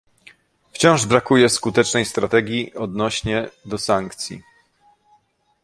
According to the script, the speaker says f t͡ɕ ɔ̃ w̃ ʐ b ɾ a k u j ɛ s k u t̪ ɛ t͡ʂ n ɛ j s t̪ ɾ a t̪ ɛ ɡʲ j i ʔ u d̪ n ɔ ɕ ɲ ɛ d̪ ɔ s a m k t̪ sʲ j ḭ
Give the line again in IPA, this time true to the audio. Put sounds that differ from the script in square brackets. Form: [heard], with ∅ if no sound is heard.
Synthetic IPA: f t͡ɕ ɔ̃ w̃ ʐ b ɾ a k u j ɛ s k u t̪ ɛ t͡ʂ n ɛ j s t̪ ɾ a t̪ ɛ ɡʲ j i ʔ [ɔ] d̪ n ɔ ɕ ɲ ɛ d̪ ɔ s a [ŋ] k t̪ sʲ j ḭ